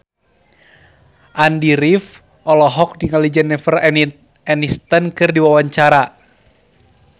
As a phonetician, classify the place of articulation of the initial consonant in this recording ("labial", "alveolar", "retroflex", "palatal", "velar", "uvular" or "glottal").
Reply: glottal